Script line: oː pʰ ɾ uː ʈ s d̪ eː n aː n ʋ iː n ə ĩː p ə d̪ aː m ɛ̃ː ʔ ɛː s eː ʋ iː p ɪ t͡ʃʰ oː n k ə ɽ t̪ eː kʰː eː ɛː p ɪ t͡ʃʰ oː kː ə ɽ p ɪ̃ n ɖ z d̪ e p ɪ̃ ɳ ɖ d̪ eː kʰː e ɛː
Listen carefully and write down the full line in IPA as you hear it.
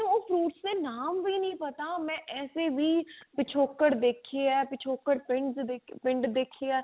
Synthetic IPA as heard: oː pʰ ɾ uː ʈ s d̪ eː n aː m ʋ iː n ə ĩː p ə t̪ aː m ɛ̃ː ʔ ɛː s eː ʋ iː p ɪ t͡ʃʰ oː k ə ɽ d̪ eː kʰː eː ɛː p ɪ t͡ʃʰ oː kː ə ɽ p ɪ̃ ɳ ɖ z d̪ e p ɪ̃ ɳ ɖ d̪ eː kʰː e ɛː

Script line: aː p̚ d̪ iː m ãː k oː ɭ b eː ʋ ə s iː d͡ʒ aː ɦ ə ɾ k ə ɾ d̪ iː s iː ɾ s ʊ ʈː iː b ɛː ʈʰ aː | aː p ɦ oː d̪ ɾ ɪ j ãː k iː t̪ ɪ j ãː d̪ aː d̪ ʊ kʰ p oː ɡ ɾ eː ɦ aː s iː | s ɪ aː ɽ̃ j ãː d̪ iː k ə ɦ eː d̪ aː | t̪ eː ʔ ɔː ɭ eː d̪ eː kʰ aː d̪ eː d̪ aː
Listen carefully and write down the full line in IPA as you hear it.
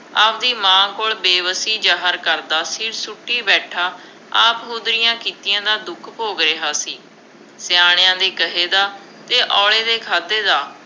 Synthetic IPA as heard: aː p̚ d̪ iː m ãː k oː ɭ b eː ʋ ə s iː d͡ʒ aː ɦ ə ɾ k ə ɾ d̪ aː s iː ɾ s ʊ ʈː iː b ɛː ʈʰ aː | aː p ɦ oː d̪ ɾ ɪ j ãː k iː t̪ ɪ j ãː d̪ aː d̪ ʊ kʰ p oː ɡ ɾ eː ɦ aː s iː | s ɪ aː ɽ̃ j ãː d̪ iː k ə ɦ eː d̪ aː | t̪ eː ʔ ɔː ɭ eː d̪ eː kʰ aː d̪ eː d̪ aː

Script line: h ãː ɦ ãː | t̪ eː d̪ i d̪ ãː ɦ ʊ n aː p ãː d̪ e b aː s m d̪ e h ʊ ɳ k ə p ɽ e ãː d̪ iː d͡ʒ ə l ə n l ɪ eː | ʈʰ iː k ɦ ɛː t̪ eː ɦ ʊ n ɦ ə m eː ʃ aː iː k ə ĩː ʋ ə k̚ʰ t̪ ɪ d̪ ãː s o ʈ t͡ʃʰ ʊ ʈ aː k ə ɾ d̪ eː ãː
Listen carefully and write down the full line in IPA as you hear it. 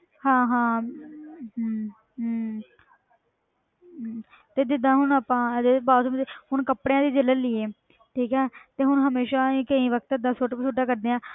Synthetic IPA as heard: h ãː ɦ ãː | t̪ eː d̪ ɪ d̪ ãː ɦ ʊ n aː p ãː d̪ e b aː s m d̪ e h ʊ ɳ k ə p ɽ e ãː d̪ iː d͡ʒ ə l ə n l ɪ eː | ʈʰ iː k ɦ ɛː t̪ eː ɦ ʊ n ɦ ə m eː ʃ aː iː k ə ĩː ʋ ə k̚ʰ t̪ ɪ d̪ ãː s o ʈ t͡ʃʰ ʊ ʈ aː k ə ɾ d̪ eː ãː

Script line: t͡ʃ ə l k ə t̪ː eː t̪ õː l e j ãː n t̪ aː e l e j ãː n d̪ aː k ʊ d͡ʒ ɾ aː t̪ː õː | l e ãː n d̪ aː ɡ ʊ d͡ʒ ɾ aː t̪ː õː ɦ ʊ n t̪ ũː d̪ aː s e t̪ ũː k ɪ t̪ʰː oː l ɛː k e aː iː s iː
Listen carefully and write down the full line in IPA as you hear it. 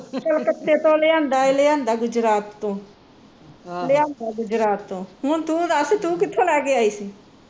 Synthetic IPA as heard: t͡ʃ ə l k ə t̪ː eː t̪ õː l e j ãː n d̪ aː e l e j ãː n d̪ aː ɡ ʊ d͡ʒ ɾ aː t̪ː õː | l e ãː n d̪ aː ɡ ʊ d͡ʒ ɾ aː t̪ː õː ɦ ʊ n t̪ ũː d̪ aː s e t̪ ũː k ɪ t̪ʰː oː l ɛː k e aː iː s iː

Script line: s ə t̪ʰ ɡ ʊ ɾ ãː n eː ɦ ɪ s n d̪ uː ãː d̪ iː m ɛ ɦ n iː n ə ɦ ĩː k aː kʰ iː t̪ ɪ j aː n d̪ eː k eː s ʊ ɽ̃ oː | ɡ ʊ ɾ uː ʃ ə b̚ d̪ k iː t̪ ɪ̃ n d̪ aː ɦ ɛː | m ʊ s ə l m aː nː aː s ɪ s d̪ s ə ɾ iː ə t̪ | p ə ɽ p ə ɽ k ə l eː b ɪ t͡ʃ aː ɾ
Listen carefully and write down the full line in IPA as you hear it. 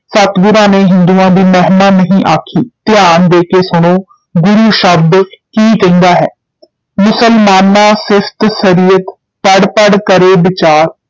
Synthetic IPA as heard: s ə t̪ ɡ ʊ ɾ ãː n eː ɦ ɪ n d̪ uː ãː d̪ iː m ɛ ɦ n aː n ə ɦ ĩː ʔ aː kʰ iː t̪ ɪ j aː n d̪ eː k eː s ʊ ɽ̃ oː | ɡ ʊ ɾ uː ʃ ə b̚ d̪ k iː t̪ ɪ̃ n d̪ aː ɦ ɛː | m ʊ s ə l m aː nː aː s ɪ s t̪ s ə ɾ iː ə t̪ | p ə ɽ p ə ɽ k ə ɾ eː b ɪ t͡ʃ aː ɾ

